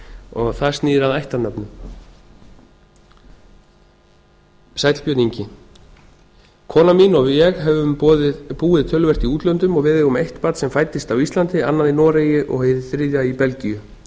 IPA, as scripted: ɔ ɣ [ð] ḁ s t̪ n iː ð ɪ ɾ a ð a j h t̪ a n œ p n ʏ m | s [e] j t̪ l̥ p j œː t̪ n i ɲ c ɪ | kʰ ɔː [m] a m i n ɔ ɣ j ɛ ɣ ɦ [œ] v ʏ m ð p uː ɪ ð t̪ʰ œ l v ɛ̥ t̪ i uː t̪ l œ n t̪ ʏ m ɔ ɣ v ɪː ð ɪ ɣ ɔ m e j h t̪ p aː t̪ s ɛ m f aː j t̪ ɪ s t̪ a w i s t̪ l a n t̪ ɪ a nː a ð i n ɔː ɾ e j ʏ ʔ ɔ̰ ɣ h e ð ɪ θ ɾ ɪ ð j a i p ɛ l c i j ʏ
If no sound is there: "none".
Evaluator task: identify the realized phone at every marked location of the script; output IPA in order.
θ, a, n, ɛ

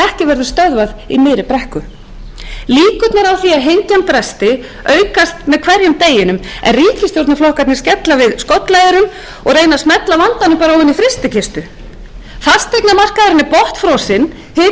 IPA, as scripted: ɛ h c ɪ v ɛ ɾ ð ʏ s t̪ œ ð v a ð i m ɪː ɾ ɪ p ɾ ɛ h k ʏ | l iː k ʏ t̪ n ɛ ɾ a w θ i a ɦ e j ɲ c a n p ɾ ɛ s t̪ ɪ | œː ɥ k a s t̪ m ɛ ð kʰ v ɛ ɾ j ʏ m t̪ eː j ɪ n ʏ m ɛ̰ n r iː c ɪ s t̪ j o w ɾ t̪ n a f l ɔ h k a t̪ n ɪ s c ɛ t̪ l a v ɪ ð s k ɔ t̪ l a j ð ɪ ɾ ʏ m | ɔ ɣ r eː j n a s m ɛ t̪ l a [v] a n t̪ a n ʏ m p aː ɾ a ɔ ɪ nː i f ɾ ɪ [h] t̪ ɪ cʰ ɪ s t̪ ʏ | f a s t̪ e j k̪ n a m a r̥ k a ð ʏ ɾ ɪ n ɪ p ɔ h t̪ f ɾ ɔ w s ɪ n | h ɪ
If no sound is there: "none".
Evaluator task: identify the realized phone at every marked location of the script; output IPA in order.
v, s

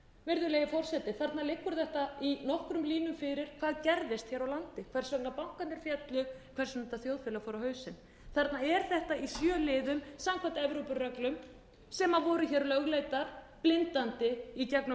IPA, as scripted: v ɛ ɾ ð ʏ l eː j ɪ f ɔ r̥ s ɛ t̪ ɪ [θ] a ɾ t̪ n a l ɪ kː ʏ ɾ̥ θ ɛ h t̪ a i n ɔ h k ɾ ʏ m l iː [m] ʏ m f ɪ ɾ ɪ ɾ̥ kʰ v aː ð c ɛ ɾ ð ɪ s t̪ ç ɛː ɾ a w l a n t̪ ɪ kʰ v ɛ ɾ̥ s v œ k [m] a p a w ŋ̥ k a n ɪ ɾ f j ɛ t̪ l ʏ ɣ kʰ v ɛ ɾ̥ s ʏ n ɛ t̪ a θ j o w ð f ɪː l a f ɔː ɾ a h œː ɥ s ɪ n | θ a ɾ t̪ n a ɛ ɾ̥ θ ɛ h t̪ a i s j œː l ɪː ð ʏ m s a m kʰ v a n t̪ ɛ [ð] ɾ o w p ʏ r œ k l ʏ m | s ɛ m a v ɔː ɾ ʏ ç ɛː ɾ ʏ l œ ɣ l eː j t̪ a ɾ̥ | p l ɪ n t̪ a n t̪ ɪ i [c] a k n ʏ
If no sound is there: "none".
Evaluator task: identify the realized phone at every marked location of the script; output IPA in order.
θ, n, n, v, c

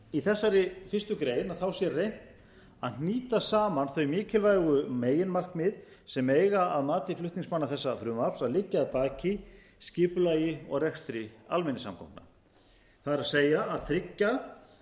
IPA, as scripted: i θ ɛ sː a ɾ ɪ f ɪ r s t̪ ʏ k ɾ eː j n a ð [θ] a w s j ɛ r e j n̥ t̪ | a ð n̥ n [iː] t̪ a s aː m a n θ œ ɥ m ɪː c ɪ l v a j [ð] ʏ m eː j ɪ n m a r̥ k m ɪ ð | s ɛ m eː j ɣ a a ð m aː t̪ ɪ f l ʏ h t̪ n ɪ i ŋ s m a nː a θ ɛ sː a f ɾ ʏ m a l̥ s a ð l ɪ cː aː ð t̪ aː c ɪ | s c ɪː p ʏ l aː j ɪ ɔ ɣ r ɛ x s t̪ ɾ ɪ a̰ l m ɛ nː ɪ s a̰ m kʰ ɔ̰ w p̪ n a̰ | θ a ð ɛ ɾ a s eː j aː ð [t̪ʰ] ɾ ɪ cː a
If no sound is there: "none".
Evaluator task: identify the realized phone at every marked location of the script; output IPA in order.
θ, iː, ɣ, t̪ʰ

